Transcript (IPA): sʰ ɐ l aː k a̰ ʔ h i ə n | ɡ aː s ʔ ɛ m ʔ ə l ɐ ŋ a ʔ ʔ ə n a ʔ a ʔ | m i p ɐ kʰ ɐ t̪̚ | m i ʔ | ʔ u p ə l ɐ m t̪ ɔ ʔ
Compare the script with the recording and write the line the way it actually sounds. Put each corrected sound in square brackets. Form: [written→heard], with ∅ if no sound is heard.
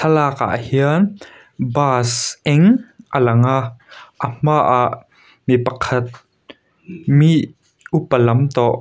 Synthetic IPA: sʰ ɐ l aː k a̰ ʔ h i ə n | [ɡ→b] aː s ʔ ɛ [m→ŋ] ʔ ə l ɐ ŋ a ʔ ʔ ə [n→m] a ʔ a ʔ | m i p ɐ kʰ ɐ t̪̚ | m i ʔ | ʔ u p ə l ɐ m t̪ ɔ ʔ